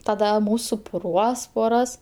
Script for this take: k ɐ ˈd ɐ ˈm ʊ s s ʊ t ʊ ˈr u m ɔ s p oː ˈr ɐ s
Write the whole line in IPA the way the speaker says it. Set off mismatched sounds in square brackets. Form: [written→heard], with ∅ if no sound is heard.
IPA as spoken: [k→t] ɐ ˈd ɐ ˈm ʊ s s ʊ [t→p] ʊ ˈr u [m→∅] ɔ s p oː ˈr ɐ s